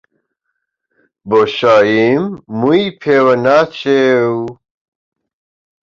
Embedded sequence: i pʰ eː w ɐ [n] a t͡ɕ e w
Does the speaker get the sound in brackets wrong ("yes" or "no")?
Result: no